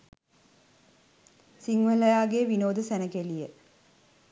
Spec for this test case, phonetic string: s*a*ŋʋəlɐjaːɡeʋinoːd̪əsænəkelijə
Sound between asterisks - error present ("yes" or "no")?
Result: yes